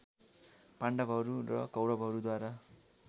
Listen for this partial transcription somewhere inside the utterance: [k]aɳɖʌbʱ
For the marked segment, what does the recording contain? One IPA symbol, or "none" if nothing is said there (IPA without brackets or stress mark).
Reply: p